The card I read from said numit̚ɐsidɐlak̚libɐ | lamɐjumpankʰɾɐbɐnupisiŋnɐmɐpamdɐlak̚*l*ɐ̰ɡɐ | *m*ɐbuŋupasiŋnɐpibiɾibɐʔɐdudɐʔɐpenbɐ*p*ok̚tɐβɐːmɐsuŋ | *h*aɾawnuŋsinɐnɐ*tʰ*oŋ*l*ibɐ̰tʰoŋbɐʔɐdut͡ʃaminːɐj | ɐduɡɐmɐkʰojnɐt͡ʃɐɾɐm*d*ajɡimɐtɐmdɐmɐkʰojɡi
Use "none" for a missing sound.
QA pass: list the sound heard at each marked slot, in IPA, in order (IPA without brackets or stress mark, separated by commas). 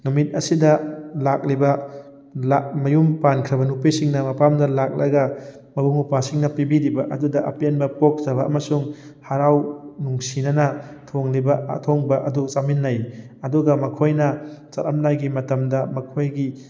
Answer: l, m, p, h, tʰ, l, n